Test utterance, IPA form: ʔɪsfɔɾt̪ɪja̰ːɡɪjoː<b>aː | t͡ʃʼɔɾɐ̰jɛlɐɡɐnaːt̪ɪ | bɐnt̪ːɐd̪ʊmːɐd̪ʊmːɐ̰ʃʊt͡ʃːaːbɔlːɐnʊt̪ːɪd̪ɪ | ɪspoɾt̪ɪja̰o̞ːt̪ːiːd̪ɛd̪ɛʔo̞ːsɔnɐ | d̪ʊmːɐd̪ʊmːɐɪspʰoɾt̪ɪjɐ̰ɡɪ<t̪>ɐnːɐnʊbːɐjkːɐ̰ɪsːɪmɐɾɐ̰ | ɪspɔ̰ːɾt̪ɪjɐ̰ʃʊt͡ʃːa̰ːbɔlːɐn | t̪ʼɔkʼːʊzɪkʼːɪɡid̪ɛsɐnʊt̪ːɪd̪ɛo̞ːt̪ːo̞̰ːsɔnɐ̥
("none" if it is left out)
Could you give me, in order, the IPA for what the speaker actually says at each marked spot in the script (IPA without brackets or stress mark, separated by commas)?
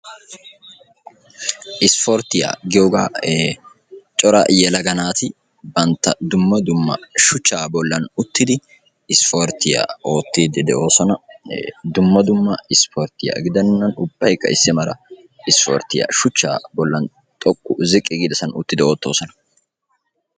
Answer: ɡ, d̪